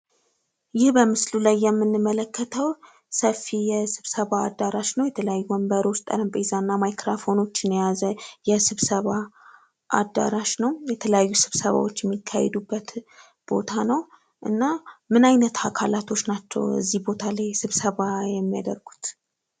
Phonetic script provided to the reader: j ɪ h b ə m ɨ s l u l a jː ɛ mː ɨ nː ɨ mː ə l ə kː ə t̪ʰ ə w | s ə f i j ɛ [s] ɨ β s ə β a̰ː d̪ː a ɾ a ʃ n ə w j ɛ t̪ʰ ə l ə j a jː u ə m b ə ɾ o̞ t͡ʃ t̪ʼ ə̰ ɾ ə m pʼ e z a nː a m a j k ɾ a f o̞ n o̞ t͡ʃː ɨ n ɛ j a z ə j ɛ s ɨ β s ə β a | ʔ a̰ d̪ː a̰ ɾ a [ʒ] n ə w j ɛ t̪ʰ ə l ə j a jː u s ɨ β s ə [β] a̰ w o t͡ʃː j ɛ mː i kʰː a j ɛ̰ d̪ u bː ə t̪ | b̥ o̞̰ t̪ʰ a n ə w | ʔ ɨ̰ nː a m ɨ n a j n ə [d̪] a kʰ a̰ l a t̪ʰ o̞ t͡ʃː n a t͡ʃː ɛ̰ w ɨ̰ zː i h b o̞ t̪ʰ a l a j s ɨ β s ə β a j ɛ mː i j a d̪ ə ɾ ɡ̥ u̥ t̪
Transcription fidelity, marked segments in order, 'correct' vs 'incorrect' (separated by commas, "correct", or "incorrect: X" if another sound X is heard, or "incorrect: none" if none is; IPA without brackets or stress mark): correct, incorrect: ʃ, correct, incorrect: t̪